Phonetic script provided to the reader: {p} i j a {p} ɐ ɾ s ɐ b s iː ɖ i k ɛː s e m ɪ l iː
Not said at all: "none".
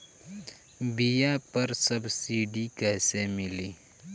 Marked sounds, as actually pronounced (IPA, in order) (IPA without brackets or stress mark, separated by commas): b, p